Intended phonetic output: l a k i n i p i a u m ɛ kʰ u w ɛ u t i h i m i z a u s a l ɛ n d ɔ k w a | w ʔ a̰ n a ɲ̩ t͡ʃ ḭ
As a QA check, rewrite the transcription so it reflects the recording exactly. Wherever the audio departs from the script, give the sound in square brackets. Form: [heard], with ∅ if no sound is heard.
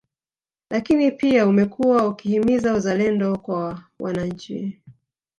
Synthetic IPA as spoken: l a k i n i p i a u m ɛ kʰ u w [a] u [k] i h i m i z a u [z] a l ɛ n d ɔ k w a | w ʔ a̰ n a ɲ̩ t͡ʃ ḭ